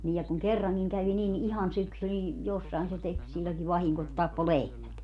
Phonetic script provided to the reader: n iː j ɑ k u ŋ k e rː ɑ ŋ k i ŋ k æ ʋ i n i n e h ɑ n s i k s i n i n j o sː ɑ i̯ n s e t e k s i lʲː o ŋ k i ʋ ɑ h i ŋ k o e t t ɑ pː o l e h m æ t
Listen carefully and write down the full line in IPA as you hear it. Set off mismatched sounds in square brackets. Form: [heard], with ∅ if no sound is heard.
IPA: n iː j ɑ k u ŋ k e rː ɑ ŋ k i ŋ k æ ʋ i n i n [i] h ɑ n s [y] k s [y] n i n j o sː ɑ i̯ n s e t e k s i lʲː o ŋ k i ʋ ɑ h i ŋ k o e t t ɑ pː o l e h m æ t